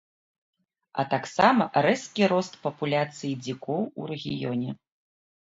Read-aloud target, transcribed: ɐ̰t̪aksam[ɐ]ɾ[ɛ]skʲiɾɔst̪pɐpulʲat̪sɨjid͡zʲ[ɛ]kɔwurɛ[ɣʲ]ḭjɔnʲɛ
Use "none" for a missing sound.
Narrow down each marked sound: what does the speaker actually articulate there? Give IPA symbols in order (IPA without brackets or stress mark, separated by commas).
ɐ, ɛ, i, ɣʲ